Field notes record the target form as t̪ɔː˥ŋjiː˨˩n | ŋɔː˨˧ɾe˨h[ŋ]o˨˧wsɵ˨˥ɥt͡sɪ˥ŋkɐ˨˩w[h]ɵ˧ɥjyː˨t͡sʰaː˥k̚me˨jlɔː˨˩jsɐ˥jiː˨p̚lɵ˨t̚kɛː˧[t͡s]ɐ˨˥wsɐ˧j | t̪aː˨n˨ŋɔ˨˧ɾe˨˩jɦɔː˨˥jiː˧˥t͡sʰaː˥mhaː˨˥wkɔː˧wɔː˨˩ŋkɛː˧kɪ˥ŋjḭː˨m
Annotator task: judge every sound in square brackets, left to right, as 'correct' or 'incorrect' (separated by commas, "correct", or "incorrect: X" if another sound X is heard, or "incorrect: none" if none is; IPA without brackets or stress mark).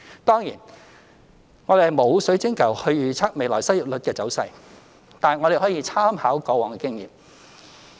incorrect: m, correct, correct